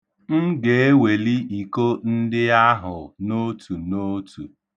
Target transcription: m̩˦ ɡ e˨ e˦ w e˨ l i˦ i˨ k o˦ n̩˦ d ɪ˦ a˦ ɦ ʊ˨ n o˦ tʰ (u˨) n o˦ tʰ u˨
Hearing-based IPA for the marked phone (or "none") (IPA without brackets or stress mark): u˨